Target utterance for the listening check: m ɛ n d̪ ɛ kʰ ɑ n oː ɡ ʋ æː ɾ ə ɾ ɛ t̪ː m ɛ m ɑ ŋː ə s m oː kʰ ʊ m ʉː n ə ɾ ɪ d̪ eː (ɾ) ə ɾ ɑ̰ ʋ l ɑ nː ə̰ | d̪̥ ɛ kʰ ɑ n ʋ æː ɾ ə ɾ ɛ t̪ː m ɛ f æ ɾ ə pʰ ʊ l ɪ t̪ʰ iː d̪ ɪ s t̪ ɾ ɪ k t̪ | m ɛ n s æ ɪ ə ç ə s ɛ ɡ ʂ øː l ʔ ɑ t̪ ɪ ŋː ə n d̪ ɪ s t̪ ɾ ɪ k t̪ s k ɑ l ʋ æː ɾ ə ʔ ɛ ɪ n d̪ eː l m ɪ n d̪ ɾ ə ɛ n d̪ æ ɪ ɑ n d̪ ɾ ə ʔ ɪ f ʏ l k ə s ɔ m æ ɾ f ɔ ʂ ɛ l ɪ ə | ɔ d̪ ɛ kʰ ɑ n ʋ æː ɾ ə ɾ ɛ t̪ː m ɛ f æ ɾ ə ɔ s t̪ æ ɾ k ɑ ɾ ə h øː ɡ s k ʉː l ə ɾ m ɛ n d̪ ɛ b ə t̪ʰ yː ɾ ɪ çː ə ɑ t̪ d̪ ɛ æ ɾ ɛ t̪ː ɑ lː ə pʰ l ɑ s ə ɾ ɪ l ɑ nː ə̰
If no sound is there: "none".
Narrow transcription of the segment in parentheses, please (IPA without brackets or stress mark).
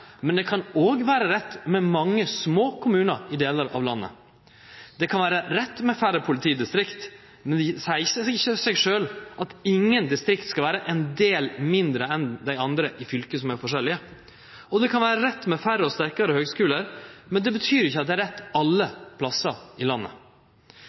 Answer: l